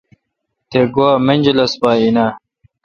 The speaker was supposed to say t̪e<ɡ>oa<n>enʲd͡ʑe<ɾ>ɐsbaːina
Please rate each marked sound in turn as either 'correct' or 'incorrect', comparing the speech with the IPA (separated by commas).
correct, incorrect, incorrect